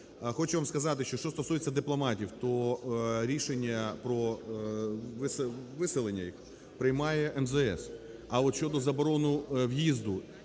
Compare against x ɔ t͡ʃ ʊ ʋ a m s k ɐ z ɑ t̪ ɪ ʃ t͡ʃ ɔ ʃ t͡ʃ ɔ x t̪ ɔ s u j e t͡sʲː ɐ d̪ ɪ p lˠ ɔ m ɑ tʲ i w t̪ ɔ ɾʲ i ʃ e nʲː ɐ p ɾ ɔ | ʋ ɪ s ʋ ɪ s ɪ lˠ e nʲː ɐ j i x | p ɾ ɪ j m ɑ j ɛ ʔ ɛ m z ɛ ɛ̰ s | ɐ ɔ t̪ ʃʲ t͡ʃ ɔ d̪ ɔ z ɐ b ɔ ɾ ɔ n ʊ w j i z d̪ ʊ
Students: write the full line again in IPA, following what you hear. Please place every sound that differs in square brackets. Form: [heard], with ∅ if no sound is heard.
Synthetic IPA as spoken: x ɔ t͡ʃ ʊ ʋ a m s k ɐ z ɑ t̪ ɪ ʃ t͡ʃ ɔ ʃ t͡ʃ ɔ [s] t̪ ɔ s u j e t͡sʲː ɐ d̪ ɪ p lˠ ɔ m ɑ tʲ i w t̪ ɔ ɾʲ i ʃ e nʲː ɐ p ɾ ɔ | ʋ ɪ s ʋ ɪ s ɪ lˠ e nʲː ɐ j i x | p ɾ ɪ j m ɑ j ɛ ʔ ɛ m z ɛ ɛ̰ s | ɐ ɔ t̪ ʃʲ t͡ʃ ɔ d̪ ɔ z ɐ b ɔ ɾ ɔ n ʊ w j i z d̪ ʊ